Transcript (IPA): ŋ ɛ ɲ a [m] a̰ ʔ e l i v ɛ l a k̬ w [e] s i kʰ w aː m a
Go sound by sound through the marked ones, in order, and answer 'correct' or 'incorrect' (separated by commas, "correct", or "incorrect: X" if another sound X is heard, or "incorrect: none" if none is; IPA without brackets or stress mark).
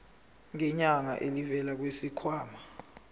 incorrect: ŋ, correct